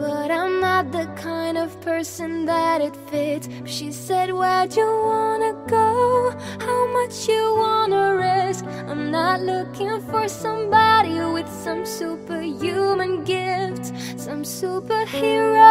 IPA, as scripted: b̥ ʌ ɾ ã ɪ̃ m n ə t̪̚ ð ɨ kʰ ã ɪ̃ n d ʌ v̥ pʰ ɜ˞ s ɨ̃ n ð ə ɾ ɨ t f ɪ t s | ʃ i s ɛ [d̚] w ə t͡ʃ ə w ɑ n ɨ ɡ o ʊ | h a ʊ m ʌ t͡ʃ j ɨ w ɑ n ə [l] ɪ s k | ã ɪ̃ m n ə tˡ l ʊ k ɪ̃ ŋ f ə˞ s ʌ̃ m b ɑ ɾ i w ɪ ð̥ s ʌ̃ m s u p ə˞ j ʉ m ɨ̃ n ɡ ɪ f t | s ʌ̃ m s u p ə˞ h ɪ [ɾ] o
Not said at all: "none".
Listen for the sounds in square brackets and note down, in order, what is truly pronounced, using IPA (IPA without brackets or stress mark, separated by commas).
d̚, ɹ, ɹ